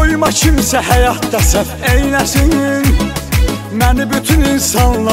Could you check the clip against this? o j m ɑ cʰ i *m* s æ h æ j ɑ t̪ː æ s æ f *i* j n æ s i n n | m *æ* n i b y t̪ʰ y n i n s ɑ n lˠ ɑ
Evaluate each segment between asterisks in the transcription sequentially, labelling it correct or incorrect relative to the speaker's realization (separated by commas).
correct, incorrect, correct